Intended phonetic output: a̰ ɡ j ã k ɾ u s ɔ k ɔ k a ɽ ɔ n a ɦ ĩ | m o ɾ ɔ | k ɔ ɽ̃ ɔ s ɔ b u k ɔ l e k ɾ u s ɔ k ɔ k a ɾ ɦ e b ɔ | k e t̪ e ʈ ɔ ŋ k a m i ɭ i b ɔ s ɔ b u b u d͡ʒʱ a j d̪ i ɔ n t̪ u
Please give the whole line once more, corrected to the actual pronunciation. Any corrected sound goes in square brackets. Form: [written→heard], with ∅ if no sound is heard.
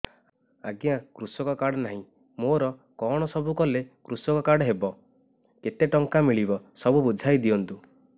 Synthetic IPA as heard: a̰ ɡ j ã k ɾ u s ɔ k ɔ k a ɽ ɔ n a ɦ ĩ | m o ɾ ɔ | k ɔ ɽ̃ ɔ s ɔ b u k ɔ l e k ɾ u s ɔ k ɔ k a [ɾ→ɽ] ɦ e b ɔ | k e t̪ e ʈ ɔ ŋ k a m i ɭ i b ɔ s ɔ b u b u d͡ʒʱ a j d̪ i ɔ n t̪ u